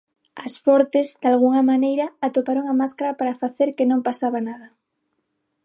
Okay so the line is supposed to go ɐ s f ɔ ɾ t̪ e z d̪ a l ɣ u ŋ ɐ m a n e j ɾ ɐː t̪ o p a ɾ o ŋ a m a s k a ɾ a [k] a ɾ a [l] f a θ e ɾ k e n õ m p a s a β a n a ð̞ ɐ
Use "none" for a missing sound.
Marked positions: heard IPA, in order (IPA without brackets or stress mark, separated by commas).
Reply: p, none